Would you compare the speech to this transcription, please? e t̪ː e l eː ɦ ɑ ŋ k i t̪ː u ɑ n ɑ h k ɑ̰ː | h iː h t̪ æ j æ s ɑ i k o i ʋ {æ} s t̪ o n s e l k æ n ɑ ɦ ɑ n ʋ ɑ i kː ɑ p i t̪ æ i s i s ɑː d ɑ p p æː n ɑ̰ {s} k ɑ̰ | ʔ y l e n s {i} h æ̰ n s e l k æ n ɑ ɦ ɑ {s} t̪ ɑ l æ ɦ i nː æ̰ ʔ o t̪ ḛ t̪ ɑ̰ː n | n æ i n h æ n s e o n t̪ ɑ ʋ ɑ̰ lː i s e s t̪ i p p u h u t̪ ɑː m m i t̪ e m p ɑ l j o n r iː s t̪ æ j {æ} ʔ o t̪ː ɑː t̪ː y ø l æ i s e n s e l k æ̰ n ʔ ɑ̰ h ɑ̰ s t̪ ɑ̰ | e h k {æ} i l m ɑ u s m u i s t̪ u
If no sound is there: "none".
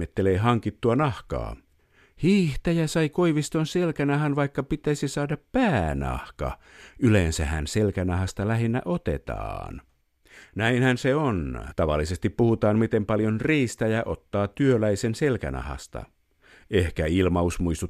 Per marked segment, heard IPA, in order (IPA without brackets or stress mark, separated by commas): i, h, æ, s, æ, æ